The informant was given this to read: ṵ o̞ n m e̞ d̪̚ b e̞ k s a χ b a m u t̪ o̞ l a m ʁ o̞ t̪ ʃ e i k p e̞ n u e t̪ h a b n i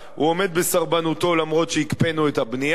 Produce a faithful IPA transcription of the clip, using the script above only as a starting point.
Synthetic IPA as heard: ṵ o̞ m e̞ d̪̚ b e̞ s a ʁ b a n u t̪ o̞ l a m ʁ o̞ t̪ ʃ e i k p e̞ n u e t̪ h a b n i